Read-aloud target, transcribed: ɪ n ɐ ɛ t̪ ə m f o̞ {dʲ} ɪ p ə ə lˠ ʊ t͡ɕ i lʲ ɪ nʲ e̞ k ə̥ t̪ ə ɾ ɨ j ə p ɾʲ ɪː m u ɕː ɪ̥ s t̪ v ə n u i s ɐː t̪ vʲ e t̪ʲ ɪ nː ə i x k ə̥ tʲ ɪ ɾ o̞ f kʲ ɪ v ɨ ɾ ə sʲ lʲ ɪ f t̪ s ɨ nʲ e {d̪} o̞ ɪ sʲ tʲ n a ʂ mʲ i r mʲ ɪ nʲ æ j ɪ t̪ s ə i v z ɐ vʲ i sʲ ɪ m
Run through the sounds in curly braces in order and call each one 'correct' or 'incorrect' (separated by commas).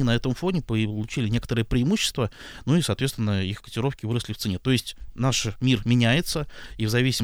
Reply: incorrect, incorrect